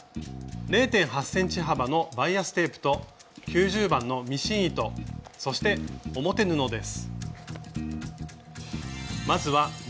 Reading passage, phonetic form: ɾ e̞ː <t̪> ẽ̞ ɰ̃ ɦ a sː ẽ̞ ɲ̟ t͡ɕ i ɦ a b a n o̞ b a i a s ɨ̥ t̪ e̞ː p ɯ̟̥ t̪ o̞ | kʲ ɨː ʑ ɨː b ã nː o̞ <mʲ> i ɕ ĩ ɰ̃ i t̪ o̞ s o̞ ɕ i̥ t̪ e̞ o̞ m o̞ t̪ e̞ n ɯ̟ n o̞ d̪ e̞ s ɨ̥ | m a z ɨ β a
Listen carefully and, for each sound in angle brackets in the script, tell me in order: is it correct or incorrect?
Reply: correct, correct

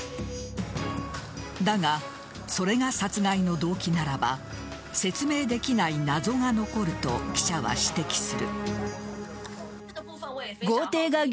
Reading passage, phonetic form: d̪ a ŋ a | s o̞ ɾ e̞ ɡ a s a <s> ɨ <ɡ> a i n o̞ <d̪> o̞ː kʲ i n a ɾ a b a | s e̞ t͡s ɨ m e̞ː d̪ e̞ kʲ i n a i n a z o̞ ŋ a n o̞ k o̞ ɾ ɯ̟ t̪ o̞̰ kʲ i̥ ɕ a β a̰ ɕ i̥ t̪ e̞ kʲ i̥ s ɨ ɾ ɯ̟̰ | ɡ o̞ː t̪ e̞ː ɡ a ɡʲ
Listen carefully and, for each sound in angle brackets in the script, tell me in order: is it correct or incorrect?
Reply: incorrect: t͡s, correct, correct

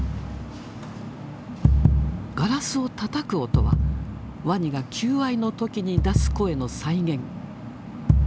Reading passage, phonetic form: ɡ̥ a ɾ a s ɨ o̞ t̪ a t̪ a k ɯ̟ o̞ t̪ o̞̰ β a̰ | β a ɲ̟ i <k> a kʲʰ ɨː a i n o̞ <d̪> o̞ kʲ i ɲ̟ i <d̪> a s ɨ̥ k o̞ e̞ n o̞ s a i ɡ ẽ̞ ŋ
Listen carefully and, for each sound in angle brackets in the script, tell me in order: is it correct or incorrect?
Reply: incorrect: ɡ, incorrect: t̪, correct

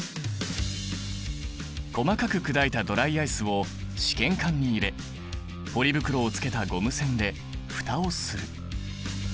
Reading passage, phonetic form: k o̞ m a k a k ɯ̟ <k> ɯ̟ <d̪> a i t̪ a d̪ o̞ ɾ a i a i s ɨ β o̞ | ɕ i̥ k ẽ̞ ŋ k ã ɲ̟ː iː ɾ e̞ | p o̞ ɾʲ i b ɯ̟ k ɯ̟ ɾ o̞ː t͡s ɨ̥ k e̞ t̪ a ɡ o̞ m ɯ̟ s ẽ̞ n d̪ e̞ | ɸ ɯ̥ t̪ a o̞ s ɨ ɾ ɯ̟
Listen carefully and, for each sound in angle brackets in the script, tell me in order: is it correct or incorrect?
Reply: correct, correct

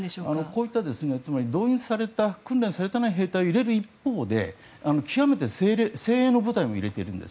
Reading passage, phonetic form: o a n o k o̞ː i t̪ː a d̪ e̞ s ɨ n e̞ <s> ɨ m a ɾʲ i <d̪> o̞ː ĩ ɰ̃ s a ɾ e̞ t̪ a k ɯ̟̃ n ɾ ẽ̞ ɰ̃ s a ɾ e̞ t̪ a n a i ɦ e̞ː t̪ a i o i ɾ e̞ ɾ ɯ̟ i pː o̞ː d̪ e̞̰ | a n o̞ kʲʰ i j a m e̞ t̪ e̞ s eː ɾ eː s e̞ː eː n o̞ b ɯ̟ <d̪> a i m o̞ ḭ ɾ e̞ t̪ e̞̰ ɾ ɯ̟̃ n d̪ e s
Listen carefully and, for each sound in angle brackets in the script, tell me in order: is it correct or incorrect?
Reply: incorrect: t͡s, correct, incorrect: t̪

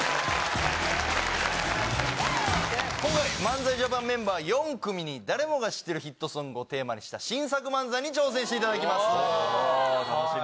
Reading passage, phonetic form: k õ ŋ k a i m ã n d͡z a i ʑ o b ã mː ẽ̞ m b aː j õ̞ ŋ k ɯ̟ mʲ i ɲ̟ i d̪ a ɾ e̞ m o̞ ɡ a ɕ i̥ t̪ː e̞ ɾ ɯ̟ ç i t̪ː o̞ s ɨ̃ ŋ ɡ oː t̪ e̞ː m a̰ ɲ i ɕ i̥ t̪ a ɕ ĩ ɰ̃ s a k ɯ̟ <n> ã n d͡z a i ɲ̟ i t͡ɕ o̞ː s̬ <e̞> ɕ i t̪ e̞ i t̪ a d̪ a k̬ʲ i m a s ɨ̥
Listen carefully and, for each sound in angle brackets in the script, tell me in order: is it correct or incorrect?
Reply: incorrect: m, incorrect: ẽ̞

